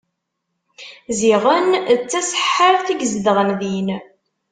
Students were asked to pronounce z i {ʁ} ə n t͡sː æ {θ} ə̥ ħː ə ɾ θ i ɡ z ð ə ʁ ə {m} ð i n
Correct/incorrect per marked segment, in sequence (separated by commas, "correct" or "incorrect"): correct, incorrect, incorrect